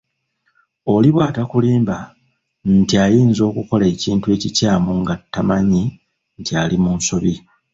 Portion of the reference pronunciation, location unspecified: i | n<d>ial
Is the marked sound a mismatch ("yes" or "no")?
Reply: yes